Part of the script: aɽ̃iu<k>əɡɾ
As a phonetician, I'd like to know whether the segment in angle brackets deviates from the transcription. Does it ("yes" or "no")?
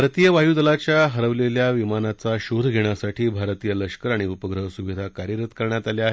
yes